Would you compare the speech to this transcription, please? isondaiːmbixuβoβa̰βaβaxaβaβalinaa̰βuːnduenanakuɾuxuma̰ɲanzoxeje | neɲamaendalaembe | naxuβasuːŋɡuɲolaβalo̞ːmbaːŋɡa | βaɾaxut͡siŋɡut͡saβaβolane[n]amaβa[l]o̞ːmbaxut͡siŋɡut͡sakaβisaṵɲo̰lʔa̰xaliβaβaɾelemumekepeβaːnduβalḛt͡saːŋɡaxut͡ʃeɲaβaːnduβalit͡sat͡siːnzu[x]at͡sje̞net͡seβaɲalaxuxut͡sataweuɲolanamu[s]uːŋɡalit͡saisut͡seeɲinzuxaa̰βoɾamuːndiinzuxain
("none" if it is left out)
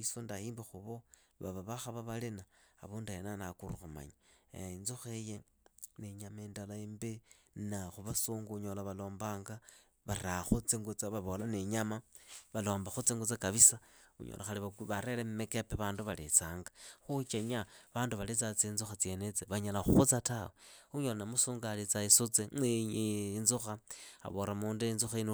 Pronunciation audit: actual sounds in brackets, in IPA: ɲ, l, x, s

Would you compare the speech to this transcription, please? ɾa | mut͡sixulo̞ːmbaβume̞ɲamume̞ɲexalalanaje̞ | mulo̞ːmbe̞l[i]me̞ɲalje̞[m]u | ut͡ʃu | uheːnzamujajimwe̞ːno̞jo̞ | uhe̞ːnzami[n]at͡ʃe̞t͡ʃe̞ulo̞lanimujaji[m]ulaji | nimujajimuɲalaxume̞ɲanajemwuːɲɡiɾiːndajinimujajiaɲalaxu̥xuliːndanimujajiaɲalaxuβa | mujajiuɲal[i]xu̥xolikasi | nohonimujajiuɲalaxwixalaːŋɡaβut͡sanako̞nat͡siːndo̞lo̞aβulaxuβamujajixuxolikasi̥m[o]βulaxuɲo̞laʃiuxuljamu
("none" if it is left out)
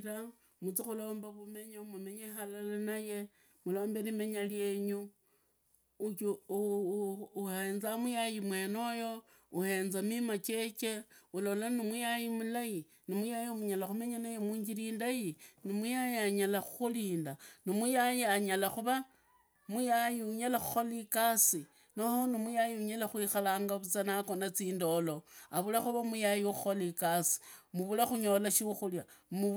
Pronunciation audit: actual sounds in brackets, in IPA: i, ɲ, m, m, a, u

